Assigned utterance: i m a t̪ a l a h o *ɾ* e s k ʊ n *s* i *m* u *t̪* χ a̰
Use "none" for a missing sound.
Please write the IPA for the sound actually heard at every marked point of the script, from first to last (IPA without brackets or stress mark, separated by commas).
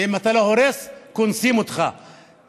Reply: ɾ, s, m, t̪